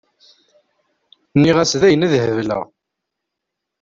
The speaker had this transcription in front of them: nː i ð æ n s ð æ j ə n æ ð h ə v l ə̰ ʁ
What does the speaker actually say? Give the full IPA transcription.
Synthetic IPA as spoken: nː i ʁ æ s ð æ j ə n æ ð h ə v l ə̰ ʁ